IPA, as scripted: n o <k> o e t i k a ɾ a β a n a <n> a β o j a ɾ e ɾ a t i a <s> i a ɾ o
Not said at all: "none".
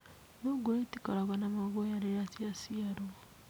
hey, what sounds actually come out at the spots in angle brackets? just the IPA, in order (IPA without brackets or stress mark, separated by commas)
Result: ɡ, m, s